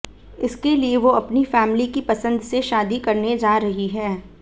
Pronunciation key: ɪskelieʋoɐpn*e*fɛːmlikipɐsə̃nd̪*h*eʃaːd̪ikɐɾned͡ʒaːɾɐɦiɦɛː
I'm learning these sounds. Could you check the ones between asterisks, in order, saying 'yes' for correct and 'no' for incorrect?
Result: no, no

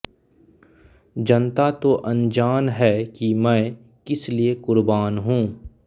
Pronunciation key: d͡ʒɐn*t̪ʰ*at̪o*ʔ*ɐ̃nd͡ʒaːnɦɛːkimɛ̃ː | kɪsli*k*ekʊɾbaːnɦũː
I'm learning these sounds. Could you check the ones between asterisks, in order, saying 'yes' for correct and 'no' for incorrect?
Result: no, yes, no

